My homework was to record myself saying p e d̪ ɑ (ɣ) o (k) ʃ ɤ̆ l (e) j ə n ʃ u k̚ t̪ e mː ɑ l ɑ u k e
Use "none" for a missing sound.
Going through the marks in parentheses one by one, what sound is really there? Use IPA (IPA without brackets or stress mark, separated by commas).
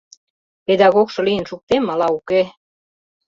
ɣ, k, i